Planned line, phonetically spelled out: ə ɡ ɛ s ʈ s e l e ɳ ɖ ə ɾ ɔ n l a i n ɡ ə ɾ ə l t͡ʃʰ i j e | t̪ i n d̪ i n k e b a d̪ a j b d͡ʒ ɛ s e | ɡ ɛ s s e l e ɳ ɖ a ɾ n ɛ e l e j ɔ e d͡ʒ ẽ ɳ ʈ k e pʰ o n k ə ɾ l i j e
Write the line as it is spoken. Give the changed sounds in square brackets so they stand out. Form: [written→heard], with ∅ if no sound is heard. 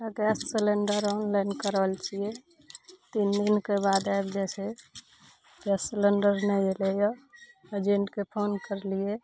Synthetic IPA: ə ɡ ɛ s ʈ s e l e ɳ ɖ ə ɾ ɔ n l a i n [ɡ→k] ə ɾ ə l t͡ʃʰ i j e | t̪ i n d̪ i n k e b a d̪ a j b d͡ʒ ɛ s e | ɡ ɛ s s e l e ɳ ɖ [a→ə] ɾ n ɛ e l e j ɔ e d͡ʒ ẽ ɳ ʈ k e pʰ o n k ə ɾ l i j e

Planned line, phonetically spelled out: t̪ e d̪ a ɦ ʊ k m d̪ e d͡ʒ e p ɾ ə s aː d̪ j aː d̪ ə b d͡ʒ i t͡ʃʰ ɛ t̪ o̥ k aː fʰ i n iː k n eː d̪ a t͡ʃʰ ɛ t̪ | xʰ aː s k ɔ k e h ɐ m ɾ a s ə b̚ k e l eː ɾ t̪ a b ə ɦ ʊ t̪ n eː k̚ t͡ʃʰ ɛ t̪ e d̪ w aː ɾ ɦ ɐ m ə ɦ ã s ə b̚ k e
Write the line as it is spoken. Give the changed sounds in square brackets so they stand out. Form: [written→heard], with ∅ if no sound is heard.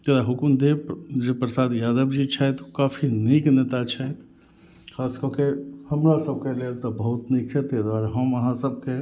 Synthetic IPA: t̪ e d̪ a ɦ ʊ k m d̪ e d͡ʒ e p ɾ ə s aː d̪ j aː d̪ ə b d͡ʒ i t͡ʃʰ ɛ t̪ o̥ k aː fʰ i n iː k n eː [d̪→t̪] a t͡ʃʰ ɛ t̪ | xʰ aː s k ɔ k e h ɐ m ɾ a s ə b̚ k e l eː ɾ t̪ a b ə ɦ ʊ t̪ n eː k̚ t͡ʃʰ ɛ t̪ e d̪ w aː ɾ ɦ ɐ m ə ɦ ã s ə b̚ k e

